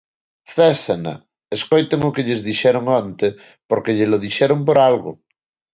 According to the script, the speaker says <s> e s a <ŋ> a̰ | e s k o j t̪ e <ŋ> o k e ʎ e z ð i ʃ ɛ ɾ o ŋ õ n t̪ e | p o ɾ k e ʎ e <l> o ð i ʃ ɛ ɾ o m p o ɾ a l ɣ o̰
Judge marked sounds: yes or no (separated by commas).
no, no, yes, yes